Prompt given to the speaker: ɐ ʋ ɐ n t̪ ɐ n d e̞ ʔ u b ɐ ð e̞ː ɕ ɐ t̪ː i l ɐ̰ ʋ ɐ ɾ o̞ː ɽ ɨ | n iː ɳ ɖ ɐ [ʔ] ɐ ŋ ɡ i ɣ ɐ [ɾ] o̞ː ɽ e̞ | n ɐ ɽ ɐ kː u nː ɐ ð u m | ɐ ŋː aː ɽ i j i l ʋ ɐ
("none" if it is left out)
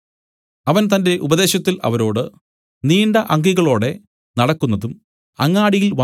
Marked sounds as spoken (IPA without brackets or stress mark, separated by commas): ʔ, ɭ